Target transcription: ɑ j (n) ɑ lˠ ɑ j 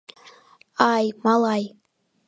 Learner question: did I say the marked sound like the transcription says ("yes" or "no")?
no